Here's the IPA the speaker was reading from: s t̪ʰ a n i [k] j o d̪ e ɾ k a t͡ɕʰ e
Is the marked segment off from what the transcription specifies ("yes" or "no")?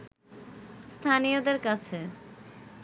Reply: yes